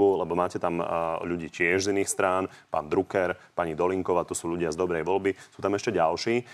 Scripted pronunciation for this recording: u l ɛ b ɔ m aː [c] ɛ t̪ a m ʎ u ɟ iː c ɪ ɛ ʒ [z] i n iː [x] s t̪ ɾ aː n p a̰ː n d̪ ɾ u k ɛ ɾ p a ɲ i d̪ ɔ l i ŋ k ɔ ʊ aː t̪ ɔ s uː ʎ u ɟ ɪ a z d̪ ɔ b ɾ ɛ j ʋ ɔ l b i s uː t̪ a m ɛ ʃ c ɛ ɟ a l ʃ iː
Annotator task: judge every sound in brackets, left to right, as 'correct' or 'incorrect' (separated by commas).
correct, correct, correct